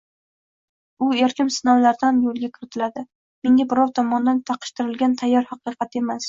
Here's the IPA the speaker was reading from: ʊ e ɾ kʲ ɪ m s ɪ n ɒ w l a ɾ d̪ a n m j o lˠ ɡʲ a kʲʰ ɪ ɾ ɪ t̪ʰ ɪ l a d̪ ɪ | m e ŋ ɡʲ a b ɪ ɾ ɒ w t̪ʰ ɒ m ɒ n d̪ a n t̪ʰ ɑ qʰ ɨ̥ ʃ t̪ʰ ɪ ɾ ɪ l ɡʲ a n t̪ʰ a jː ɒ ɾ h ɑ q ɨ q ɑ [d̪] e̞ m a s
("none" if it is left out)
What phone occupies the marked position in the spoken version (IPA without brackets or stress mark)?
t̪